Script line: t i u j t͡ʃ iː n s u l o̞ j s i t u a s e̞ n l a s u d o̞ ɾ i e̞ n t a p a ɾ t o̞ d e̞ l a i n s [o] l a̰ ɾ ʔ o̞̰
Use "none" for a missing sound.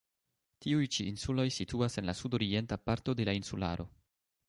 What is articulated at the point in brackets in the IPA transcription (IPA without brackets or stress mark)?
u